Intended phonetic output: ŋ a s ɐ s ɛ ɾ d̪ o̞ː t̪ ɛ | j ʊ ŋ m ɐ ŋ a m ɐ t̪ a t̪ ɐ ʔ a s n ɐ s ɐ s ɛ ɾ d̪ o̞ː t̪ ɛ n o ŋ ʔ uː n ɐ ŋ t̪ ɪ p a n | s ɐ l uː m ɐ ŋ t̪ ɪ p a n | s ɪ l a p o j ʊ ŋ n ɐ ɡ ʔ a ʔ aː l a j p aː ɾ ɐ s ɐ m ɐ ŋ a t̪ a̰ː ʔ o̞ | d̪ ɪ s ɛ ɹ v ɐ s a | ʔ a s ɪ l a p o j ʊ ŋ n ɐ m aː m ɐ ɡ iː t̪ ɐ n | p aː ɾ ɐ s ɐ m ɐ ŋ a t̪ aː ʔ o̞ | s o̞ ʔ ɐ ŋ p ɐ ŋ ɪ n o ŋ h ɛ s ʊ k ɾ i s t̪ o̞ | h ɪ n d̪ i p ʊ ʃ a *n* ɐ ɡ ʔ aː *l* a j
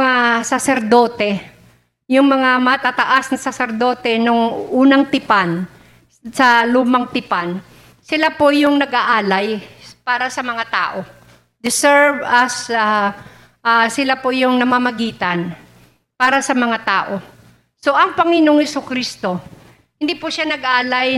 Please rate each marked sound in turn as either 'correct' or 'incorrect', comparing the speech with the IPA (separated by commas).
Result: correct, correct